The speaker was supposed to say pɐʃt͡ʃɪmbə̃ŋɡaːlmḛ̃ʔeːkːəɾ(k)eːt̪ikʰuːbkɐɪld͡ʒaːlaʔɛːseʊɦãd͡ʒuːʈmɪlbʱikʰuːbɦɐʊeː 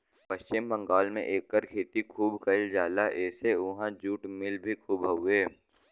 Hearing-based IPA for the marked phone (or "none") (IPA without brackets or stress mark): kʰ